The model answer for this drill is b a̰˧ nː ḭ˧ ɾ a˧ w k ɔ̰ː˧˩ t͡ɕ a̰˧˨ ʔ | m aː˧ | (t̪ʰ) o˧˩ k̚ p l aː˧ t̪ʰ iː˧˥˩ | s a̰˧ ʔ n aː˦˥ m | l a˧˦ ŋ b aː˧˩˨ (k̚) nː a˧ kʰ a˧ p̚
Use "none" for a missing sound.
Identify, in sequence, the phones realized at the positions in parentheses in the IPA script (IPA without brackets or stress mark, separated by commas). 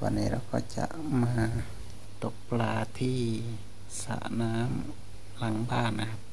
t̪, none